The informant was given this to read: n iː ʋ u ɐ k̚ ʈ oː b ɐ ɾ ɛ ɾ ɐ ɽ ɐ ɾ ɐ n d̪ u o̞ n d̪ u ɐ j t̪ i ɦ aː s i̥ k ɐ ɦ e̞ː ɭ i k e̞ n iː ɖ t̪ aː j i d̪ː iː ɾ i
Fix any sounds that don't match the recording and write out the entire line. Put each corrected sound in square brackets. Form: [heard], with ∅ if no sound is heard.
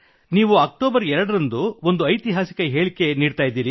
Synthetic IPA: n iː ʋ u ɐ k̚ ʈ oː b ɐ ɾ ɛ ɾ ɐ ɽ ɐ ɾ ɐ n d̪ u o̞ n d̪ u ɐ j t̪ i ɦ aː s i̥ k ɐ ɦ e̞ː ɭ i k e̞ n iː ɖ t̪ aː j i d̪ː iː ɾ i